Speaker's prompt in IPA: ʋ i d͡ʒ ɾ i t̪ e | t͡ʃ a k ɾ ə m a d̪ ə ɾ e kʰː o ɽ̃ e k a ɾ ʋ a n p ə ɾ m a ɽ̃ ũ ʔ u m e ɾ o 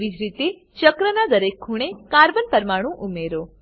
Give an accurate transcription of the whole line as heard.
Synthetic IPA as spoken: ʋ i d͡ʒ ɾ i t̪ e | t͡ʃ ə k ɾ ə n a d̪ ə ɾ e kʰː u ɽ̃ e k a ɾ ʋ ə n p ə ɾ m a ɽ̃ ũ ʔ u m e ɾ o